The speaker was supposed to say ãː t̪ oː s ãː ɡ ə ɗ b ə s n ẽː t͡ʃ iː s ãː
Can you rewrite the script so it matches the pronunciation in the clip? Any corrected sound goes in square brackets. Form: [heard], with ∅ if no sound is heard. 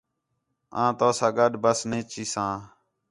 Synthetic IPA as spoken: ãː t̪ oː s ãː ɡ ə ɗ b ə s n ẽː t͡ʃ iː s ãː